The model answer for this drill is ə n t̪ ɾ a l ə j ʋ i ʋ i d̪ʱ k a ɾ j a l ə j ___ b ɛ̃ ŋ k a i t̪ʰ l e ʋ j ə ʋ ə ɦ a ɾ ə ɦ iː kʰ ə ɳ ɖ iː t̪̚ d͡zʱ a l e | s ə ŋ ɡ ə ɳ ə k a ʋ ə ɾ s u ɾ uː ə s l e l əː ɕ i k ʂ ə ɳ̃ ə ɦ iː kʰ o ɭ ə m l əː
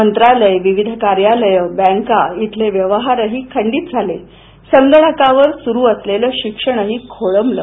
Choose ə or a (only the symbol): ə